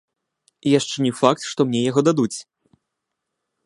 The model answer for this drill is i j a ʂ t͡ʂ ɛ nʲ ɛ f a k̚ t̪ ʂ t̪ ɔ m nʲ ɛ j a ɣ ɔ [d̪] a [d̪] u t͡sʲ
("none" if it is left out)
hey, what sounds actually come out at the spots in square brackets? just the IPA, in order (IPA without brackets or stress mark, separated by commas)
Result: d̪, d̪